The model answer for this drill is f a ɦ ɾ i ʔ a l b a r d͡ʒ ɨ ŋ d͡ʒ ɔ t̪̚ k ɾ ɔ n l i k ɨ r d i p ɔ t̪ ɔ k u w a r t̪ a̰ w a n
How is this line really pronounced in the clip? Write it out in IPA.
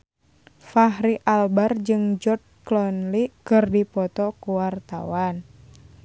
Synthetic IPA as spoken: f a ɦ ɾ i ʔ a l b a r d͡ʒ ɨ ŋ d͡ʒ ɔ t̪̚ k l ɔ n l i k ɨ r d i p ɔ t̪ ɔ k u w a r t̪ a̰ w a n